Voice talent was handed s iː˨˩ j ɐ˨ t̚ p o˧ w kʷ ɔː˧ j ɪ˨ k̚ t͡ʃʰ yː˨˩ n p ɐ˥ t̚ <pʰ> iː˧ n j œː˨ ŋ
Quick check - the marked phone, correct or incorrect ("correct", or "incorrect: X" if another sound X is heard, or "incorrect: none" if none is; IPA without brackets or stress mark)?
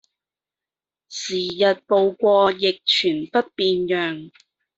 incorrect: p